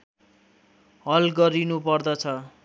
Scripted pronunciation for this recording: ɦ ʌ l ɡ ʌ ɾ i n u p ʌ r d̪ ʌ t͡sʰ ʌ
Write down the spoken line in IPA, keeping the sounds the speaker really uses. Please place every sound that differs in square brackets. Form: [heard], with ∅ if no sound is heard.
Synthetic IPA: ɦ ʌ l ɡ ʌ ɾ i n u p ʌ r d̪ ʌ t͡sʰ ʌ